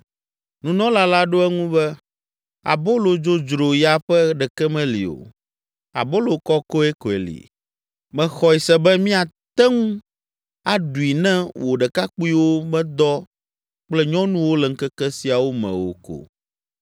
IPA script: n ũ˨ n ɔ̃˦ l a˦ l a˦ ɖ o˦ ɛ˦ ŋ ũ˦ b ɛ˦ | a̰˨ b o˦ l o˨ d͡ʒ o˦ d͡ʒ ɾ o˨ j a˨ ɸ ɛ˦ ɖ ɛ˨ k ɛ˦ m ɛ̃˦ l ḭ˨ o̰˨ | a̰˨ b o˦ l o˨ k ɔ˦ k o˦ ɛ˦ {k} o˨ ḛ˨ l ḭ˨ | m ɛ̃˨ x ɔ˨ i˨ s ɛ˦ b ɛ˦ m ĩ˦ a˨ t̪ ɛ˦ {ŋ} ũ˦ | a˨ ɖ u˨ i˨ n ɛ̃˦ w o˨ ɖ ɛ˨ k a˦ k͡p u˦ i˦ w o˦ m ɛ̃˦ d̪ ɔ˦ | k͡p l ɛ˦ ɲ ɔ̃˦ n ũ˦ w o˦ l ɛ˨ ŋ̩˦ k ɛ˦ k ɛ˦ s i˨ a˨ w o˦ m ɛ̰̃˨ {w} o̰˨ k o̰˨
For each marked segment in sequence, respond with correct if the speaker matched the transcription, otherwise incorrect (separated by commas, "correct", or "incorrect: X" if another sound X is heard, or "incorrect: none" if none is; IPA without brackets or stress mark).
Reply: correct, correct, correct